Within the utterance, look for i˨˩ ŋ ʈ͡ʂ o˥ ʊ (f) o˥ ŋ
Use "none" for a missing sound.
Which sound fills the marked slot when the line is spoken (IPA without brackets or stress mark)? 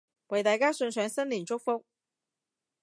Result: f